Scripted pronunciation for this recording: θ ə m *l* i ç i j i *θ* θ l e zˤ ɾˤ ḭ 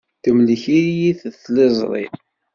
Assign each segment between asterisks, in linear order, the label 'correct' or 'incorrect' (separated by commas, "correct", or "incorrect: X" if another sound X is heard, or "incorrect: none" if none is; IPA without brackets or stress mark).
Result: correct, correct